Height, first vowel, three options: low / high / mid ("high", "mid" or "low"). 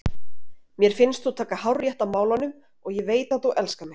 mid